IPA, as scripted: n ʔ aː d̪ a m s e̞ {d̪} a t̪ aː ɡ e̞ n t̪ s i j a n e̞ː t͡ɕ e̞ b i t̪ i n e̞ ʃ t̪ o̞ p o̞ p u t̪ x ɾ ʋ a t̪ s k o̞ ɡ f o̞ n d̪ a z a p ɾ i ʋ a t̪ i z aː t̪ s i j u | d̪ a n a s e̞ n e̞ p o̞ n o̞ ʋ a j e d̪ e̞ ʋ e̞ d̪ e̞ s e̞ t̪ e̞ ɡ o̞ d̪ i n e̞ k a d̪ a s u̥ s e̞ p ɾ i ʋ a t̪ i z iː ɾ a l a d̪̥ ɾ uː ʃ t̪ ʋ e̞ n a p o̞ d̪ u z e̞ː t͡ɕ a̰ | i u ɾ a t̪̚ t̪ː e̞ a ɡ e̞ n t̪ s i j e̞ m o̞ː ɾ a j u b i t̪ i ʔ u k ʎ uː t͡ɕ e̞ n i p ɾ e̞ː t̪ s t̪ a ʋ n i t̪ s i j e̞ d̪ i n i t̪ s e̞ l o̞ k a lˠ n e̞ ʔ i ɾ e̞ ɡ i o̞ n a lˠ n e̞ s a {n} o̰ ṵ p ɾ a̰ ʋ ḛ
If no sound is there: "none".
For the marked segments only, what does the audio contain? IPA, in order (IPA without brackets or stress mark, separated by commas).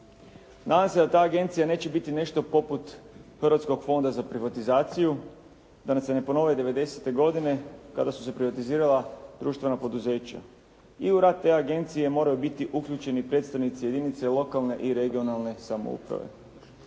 d̪, m